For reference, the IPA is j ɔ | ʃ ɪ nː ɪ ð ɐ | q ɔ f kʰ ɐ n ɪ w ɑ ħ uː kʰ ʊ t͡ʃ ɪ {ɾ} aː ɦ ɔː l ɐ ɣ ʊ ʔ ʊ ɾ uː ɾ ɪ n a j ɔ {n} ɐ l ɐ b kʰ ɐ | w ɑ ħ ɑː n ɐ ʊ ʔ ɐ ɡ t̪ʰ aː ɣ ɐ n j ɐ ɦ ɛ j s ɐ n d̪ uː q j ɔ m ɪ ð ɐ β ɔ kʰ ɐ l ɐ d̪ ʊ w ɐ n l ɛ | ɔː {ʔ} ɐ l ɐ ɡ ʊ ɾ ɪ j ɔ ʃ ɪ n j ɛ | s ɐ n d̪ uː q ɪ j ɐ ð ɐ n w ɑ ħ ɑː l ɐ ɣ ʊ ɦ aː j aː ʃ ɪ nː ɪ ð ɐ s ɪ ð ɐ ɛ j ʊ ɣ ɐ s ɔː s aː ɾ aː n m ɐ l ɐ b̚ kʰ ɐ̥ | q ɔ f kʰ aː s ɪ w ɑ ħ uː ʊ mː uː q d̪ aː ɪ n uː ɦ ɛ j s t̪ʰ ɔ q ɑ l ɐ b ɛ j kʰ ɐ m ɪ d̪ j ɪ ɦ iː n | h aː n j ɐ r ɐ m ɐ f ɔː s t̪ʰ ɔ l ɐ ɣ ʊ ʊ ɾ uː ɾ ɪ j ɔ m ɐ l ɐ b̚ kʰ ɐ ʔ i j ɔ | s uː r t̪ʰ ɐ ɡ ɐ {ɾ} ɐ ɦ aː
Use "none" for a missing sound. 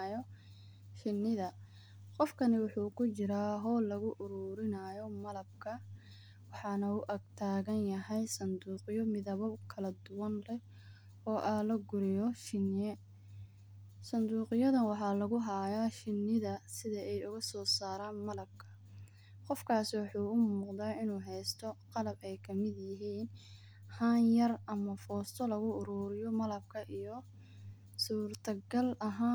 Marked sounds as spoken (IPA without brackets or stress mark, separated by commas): ɾ, m, ʔ, l